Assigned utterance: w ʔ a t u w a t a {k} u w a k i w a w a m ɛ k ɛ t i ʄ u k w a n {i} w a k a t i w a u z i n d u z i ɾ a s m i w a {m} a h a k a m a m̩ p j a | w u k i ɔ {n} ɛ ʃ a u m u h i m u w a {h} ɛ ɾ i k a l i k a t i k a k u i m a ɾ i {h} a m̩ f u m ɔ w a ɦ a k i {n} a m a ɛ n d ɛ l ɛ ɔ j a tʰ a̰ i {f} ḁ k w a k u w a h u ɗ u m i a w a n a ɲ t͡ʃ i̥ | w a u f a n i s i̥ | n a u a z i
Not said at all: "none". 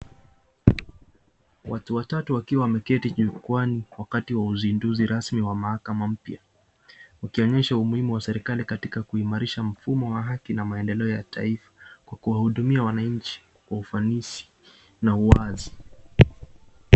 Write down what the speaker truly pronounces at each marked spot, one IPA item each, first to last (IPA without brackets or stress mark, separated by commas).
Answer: t, i, m, ɲ, s, ʃ, n, f